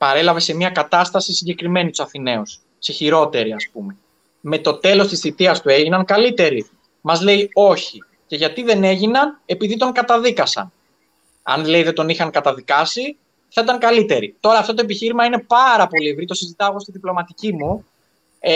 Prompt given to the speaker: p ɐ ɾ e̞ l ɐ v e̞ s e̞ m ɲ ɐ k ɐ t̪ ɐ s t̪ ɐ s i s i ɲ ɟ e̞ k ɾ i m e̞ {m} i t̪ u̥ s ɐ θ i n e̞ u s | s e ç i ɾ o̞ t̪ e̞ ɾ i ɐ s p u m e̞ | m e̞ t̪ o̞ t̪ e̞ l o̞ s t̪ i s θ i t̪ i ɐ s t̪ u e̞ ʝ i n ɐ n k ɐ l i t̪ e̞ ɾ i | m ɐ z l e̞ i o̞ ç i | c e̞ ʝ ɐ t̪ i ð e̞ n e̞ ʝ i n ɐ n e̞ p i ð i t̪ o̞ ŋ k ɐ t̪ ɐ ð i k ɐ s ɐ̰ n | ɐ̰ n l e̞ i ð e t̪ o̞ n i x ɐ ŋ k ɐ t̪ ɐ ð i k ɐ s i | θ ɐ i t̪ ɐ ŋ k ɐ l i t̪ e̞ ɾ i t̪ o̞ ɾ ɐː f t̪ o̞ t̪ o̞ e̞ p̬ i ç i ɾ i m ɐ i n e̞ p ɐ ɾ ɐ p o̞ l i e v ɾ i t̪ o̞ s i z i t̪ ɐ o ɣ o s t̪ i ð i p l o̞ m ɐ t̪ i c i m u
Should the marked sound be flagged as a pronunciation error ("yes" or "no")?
yes